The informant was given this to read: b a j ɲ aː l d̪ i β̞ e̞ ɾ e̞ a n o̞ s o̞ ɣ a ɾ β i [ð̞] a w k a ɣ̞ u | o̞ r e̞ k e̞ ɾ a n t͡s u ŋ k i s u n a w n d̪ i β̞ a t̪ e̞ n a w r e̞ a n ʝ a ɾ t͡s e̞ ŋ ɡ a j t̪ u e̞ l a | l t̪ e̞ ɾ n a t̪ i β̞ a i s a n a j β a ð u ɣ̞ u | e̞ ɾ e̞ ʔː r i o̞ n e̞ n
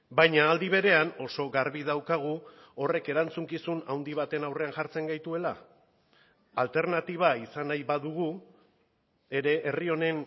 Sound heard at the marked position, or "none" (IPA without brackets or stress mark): ð̞